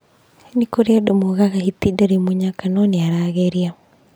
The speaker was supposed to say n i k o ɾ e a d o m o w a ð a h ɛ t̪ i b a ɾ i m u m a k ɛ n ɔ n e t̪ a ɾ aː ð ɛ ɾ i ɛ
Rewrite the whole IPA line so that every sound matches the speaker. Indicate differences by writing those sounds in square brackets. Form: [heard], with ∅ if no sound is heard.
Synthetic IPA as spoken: n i k o ɾ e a d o m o [ɣ] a [ɣ] a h [i] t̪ i [d] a ɾ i m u [ɲ] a k [a] n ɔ n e [∅] a ɾ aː [ɣ] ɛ ɾ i [a]